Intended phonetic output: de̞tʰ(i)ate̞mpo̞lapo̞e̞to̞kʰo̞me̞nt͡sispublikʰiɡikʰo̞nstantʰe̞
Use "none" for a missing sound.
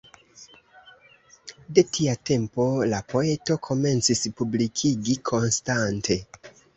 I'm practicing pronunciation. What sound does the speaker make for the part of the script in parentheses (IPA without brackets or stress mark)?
i